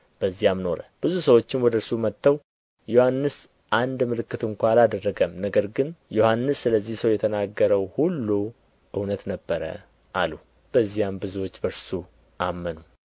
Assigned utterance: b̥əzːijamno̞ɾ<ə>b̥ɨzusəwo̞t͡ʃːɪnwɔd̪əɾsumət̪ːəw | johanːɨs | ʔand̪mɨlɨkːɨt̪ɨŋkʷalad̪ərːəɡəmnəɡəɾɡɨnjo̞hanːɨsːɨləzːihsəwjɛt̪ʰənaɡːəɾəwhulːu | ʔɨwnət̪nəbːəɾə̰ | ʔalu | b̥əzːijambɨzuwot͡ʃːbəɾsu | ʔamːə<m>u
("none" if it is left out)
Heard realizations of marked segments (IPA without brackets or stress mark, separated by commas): ə, n